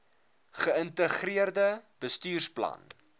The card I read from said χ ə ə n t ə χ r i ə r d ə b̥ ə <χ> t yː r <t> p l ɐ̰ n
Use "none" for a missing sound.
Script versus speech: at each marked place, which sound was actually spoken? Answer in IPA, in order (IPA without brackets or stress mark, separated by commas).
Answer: s, s